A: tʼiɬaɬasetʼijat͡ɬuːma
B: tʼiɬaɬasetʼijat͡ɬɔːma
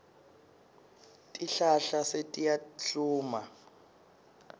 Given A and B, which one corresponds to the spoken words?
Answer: A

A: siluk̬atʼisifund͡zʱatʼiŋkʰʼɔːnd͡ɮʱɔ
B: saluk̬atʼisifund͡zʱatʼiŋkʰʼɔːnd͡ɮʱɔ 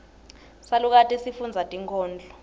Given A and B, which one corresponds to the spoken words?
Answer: B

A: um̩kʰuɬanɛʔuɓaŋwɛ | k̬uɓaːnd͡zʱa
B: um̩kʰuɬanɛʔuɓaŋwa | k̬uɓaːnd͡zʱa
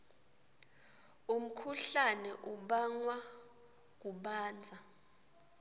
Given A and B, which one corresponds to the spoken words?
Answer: B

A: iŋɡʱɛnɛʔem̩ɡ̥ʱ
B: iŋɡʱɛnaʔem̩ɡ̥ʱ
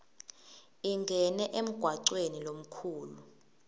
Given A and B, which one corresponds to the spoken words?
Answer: A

